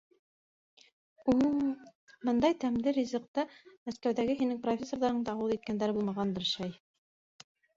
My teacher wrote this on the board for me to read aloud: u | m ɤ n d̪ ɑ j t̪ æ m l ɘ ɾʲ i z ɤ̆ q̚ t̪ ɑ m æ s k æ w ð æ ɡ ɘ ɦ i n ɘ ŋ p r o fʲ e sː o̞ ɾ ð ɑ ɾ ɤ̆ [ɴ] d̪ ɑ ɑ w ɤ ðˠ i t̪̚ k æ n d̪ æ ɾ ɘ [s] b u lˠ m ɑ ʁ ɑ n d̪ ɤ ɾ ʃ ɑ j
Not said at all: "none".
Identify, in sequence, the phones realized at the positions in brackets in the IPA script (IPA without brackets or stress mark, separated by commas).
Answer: ɴ, none